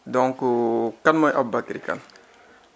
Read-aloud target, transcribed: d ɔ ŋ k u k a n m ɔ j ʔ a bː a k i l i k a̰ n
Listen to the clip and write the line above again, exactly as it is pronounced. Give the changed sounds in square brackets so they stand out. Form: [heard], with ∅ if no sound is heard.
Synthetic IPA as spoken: d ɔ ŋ k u k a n m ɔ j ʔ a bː a k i [ɾ] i k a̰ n